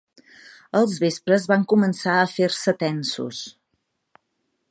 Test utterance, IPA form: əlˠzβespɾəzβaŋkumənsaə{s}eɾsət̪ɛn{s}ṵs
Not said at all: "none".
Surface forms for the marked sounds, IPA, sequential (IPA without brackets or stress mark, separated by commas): f, s